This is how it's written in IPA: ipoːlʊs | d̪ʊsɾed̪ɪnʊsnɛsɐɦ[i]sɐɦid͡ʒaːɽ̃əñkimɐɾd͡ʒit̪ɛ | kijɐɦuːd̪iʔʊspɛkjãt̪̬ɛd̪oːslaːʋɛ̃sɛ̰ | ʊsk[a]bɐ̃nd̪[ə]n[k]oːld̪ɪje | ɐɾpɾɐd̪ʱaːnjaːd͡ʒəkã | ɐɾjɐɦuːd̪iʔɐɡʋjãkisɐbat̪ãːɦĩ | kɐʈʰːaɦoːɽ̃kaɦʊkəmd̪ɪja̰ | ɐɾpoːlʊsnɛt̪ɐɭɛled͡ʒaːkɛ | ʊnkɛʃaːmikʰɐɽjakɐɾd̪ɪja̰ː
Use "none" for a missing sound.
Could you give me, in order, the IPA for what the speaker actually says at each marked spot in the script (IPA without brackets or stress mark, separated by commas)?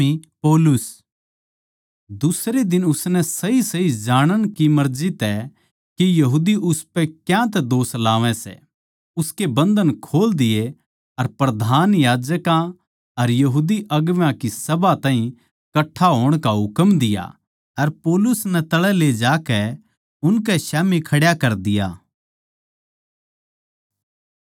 i, e, ə, kʰ